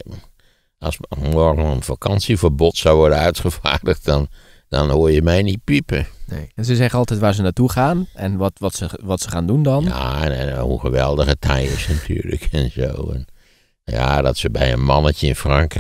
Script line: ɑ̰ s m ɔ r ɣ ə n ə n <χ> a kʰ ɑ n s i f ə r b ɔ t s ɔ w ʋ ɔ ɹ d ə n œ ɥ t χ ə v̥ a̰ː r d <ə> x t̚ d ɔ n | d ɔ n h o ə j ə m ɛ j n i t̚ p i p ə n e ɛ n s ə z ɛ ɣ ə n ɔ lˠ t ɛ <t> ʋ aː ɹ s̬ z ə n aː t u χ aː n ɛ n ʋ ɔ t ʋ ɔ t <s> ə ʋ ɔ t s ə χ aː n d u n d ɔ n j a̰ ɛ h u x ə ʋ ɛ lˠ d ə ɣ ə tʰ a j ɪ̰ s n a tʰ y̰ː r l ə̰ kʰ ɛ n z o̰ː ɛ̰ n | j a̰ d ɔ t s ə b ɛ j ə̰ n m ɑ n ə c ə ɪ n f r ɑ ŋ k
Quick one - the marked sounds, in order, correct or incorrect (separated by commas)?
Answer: incorrect, correct, correct, correct